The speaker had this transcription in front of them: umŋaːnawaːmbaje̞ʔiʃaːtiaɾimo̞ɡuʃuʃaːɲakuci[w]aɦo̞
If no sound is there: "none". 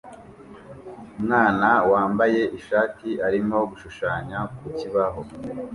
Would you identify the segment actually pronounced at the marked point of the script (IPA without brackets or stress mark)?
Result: β